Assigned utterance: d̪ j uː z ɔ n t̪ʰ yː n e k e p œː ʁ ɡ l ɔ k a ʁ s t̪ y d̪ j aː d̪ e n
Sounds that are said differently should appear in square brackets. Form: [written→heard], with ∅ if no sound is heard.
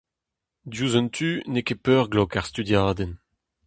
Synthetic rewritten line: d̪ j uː z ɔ n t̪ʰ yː n e k e p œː ʁ ɡ l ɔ k a ʁ s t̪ y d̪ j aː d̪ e n